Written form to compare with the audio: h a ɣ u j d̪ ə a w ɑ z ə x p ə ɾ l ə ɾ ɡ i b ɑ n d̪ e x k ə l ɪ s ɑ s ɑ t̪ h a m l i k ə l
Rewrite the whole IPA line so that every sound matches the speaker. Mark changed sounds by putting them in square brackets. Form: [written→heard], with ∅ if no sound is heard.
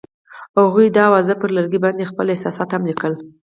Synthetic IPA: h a ɣ u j d̪ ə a w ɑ z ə [x→∅] p ə ɾ l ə ɾ ɡ i b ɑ n d̪ e x [k→p] ə l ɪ s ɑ s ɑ t̪ h a m l i k ə l